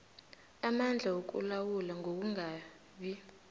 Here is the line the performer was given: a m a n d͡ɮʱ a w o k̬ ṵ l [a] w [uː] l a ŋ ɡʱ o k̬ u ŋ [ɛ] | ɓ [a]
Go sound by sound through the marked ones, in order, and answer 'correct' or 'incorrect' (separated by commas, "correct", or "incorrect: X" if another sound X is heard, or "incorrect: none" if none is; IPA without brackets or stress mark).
correct, incorrect: u, incorrect: a, incorrect: i